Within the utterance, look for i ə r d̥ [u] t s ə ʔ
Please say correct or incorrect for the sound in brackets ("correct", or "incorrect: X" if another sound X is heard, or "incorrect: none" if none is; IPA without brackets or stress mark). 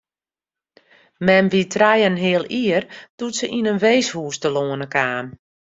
correct